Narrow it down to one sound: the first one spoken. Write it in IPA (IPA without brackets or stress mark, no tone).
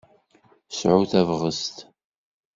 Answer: s